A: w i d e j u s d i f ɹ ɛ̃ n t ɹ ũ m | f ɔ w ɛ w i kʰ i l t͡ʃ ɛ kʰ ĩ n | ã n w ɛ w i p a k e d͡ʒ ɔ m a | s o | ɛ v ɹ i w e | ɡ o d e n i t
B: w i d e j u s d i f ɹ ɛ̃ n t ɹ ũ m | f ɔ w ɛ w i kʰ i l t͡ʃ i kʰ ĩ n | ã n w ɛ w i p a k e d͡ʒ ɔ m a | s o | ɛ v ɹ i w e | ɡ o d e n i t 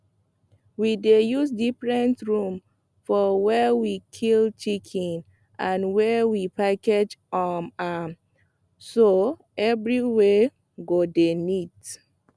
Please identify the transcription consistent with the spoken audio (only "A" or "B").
B